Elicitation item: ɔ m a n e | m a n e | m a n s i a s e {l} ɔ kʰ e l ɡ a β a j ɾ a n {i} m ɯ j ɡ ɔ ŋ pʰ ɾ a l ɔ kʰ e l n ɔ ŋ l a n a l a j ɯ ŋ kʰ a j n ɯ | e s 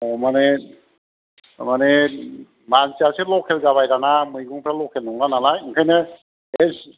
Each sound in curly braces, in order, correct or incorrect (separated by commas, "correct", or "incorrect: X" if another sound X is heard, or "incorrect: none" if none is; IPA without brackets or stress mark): correct, incorrect: a